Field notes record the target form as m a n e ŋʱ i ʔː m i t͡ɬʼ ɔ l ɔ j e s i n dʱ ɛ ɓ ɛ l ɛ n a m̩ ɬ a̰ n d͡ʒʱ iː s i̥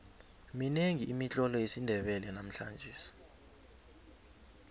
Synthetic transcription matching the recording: m i n e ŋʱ i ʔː m i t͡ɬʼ ɔ l ɔ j e s i n dʱ ɛ ɓ ɛ l ɛ n a m̩ ɬ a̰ n d͡ʒʱ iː s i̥